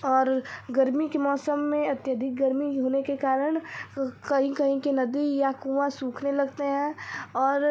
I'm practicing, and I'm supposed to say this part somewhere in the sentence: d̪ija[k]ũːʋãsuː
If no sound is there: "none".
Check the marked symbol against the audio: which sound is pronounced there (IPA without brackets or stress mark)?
k